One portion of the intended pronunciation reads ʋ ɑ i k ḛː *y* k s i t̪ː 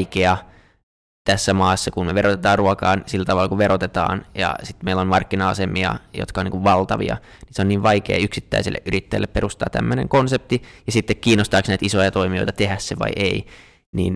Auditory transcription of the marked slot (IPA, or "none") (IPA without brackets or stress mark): y